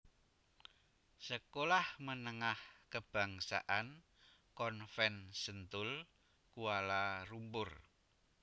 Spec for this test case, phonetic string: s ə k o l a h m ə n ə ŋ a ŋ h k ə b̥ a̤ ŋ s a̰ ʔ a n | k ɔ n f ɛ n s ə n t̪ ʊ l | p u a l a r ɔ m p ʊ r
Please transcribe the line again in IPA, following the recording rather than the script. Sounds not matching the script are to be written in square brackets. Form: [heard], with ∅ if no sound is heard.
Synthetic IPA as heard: s ə k o l a h m ə n ə ŋ a [∅] h k ə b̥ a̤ ŋ s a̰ ʔ a n | k ɔ n f ɛ n s ə n t̪ ʊ l | [k] u a l a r [u] m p ʊ r